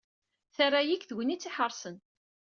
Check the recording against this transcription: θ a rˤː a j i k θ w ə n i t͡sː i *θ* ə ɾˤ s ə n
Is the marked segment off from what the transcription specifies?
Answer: yes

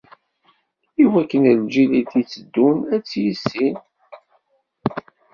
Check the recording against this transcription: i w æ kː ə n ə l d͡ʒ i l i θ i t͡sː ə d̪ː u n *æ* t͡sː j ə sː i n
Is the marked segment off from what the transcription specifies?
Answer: no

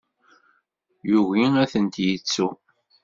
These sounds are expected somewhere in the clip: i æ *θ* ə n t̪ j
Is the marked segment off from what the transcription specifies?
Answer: no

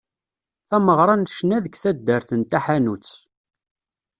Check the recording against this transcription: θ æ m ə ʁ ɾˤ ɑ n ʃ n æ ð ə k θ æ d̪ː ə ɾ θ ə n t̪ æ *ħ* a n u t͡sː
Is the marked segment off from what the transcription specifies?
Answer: no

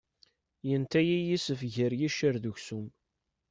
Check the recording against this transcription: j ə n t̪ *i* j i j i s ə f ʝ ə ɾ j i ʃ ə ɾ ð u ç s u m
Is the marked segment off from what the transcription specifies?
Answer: yes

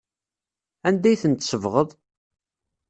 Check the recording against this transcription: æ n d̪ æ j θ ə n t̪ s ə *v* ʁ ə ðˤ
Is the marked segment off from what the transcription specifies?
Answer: no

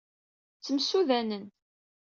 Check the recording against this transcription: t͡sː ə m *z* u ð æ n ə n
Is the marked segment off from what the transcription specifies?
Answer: yes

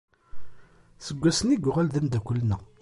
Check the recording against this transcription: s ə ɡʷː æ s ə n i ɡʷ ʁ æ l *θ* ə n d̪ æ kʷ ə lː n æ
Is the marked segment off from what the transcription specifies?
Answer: yes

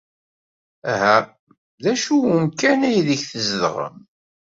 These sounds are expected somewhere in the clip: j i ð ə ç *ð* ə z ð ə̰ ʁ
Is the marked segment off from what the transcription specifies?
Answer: yes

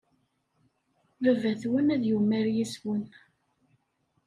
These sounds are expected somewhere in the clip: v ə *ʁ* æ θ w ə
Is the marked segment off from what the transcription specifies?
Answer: yes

